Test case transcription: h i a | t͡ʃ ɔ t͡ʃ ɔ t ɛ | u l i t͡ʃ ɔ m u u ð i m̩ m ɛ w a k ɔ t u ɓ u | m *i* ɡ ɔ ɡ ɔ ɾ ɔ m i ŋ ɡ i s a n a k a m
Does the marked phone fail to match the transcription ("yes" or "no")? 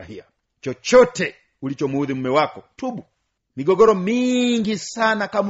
no